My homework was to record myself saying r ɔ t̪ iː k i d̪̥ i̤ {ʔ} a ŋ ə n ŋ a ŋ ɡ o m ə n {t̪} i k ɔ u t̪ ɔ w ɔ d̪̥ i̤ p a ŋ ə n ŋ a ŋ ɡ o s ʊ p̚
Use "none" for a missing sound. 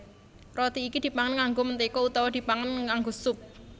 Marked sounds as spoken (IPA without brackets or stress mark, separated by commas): p, t̪